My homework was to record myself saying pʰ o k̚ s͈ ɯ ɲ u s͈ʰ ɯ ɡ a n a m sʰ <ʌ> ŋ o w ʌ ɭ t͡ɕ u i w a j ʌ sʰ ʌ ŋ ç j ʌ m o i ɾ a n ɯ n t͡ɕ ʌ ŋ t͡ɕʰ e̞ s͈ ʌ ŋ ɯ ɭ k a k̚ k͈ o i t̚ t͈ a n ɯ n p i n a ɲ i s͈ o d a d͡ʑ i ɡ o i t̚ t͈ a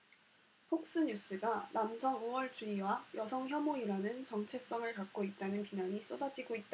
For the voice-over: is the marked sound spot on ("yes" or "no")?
yes